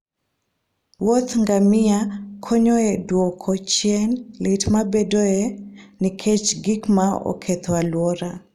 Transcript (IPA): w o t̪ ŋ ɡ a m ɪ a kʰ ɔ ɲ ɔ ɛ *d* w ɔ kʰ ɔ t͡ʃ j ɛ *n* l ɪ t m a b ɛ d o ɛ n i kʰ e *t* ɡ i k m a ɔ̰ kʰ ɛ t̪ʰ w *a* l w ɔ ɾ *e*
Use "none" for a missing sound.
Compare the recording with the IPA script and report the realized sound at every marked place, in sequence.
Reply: d, n, t͡ʃ, a, a

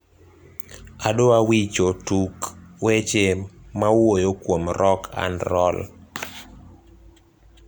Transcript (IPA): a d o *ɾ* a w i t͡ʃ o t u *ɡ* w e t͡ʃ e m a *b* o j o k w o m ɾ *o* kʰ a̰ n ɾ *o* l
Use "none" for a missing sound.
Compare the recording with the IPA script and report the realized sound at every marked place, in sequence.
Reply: none, k, w, ɔ, ɔ

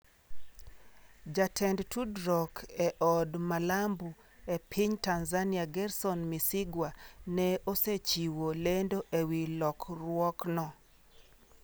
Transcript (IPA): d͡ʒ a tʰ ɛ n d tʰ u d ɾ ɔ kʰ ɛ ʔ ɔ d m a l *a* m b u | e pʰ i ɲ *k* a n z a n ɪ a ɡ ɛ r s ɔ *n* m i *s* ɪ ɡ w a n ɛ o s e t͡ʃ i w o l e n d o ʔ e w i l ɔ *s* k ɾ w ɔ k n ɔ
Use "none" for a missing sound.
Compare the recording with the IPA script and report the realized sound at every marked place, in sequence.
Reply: a, t, n, s, none

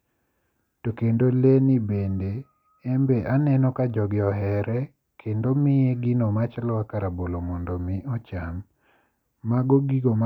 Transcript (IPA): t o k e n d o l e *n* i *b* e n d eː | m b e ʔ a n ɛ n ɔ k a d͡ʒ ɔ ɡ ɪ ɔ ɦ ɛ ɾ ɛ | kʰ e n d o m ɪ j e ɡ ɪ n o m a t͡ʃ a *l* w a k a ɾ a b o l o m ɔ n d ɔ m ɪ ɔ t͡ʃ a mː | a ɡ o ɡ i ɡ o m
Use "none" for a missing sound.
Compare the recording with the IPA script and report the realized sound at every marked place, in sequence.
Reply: n, b, l

